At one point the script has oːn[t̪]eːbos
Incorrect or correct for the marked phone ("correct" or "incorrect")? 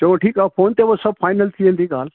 correct